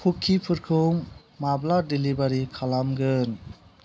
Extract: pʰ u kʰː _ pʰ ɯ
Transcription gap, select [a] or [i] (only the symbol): i